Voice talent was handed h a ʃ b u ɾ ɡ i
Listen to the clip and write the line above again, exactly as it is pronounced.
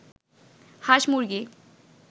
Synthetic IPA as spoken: h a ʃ m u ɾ ɡ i